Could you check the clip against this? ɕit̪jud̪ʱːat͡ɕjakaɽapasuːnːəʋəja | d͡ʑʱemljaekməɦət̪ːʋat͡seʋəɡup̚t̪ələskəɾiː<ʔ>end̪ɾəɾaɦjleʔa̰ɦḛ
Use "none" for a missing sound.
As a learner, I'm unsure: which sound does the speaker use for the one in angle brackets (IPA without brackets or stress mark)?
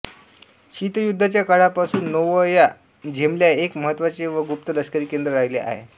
k